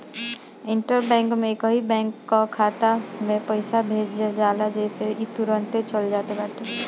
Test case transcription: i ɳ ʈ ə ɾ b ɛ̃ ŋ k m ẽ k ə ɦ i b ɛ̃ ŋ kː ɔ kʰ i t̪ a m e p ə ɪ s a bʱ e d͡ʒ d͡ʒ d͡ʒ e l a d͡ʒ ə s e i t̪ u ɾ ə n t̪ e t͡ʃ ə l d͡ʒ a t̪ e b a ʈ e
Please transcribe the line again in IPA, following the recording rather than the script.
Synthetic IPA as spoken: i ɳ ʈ ə ɾ b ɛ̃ ŋ k m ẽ k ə ɦ i b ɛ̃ ŋ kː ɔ kʰ a t̪ a m e p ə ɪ s a bʱ e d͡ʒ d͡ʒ d͡ʒ a l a d͡ʒ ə s e i t̪ u ɾ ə n t̪ e t͡ʃ ə l d͡ʒ a t̪ e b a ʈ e